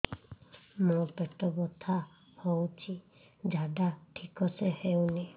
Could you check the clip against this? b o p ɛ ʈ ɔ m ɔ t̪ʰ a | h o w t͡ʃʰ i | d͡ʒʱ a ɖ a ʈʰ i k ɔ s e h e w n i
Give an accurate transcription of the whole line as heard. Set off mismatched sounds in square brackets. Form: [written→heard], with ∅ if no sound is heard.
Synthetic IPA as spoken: [b→m] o p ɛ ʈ ɔ [m→b] ɔ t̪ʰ a | h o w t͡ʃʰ i | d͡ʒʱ a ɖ a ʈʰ i k ɔ s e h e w n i